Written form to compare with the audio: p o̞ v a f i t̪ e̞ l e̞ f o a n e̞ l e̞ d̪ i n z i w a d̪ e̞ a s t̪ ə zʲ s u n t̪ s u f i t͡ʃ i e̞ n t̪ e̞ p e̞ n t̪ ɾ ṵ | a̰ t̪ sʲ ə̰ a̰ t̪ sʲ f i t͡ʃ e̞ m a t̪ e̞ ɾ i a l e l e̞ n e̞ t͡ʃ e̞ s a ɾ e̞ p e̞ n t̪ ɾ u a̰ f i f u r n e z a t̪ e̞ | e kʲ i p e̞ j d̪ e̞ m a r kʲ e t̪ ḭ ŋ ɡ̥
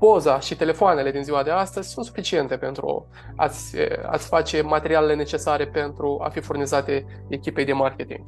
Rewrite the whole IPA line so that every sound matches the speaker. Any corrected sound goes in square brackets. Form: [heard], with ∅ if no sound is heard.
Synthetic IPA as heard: p o̞ [z] a [ʃ] i t̪ e̞ l e̞ f o a n e̞ l e̞ d̪ i n z i w a d̪ e̞ a s t̪ ə zʲ s u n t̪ s u f i t͡ʃ i e̞ n t̪ e̞ p e̞ n t̪ ɾ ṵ | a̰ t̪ sʲ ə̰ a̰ t̪ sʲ f [a] t͡ʃ e̞ m a t̪ e̞ ɾ i a l e l e̞ n e̞ t͡ʃ e̞ s a ɾ e̞ p e̞ n t̪ ɾ u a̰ f i f u r n [i] z a t̪ e̞ | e kʲ i p e̞ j d̪ e̞ m a r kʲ e t̪ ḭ ŋ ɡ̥